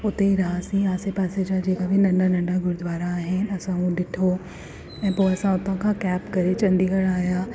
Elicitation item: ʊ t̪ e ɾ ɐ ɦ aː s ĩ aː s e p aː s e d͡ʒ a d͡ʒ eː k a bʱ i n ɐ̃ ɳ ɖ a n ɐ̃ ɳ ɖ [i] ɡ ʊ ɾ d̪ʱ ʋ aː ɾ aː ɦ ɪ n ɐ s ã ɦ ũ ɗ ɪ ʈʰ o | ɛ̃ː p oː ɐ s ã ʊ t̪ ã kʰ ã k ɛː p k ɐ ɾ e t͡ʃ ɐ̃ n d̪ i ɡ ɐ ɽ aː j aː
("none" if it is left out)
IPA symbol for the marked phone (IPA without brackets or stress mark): a